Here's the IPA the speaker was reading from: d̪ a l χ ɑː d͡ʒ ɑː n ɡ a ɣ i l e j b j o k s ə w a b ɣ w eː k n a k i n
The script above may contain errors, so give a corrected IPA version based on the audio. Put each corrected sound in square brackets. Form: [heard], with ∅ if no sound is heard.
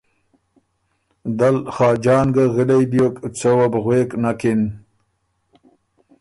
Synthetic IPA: d̪ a l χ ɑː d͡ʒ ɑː n ɡ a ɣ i l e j b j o k [t͡s] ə w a b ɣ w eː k n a k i n